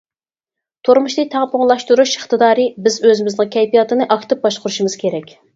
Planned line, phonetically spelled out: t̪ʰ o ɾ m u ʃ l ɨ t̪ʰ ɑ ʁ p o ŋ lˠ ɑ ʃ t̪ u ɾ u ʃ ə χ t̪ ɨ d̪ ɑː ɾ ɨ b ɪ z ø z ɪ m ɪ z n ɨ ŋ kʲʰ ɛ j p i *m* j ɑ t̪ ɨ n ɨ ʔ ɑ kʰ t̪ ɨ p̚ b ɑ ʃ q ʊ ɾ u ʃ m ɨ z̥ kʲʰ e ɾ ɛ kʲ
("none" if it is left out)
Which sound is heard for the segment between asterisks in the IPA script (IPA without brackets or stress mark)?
none